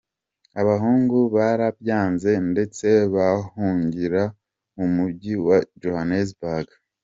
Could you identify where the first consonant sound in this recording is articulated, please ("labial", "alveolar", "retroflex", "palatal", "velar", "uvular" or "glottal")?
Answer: labial